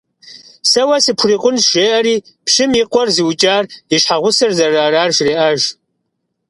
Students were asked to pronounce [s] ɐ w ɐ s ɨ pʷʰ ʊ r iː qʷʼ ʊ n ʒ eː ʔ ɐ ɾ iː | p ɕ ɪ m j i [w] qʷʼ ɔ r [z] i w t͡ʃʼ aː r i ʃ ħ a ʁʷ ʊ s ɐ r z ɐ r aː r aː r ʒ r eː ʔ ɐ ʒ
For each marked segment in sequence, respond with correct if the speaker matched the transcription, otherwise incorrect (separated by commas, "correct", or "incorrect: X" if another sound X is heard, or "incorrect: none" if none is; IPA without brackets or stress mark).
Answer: correct, incorrect: none, correct